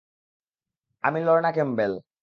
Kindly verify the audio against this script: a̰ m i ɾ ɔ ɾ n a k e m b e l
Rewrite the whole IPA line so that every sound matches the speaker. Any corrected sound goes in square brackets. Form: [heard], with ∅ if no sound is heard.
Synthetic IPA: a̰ m i [l] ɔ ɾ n a k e m b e l

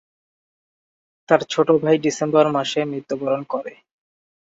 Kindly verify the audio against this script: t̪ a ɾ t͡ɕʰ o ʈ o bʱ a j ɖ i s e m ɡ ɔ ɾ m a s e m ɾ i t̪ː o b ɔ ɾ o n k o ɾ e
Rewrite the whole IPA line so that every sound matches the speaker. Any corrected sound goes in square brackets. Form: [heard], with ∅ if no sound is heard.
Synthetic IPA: t̪ a ɾ t͡ɕʰ o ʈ o bʱ a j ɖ i s e m [b] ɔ ɾ m a [ʃ] e m ɾ i t̪ː o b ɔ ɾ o n k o ɾ e

